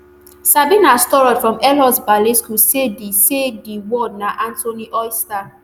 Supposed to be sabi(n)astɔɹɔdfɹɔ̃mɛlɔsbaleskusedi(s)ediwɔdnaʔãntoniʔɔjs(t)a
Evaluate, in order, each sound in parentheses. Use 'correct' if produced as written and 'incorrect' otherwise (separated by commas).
correct, correct, correct